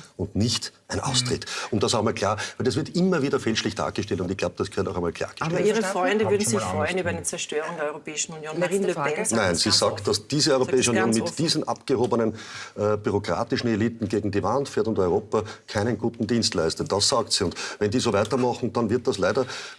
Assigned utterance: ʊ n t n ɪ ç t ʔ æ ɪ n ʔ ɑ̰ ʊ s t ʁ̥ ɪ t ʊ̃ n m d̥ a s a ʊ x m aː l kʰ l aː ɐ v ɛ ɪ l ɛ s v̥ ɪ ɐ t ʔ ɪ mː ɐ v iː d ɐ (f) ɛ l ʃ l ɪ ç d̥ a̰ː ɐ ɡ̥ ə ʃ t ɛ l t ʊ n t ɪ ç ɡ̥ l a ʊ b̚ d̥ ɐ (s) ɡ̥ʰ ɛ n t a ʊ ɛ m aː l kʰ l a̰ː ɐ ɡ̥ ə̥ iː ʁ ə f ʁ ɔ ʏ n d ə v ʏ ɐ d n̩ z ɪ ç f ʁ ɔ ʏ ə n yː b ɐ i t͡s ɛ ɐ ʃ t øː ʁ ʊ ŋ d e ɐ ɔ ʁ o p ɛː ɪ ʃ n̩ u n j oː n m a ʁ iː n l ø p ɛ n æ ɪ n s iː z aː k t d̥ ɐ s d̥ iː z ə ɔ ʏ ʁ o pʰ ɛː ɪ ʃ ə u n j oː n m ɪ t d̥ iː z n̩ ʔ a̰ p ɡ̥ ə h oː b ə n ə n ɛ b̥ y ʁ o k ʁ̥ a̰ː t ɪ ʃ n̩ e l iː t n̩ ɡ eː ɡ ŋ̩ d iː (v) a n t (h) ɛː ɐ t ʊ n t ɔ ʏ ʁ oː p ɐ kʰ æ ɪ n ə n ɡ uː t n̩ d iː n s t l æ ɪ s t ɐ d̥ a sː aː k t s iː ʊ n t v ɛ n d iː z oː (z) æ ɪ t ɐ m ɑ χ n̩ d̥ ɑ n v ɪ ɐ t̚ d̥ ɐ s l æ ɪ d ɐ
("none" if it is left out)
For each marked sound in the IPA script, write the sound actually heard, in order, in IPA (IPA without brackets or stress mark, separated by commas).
f, s, v, f, v